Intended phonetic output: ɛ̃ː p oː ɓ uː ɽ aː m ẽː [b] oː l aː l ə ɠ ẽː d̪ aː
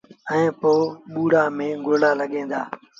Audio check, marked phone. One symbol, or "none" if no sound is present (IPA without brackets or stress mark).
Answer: ɡ